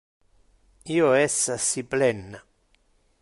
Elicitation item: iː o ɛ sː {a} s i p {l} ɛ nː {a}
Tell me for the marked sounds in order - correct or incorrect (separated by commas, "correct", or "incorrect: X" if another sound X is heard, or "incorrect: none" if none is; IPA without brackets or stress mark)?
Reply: correct, correct, correct